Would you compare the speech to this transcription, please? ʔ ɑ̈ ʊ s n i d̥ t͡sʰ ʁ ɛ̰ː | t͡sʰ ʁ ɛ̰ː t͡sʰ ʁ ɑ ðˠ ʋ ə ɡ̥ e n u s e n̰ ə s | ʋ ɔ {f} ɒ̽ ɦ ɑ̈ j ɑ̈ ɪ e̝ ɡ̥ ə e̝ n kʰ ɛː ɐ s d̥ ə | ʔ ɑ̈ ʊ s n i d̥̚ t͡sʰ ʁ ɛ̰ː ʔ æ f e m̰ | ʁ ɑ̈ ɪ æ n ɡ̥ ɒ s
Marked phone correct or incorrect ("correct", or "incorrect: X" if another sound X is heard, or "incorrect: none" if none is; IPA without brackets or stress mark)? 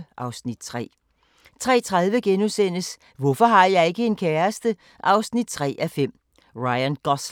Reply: correct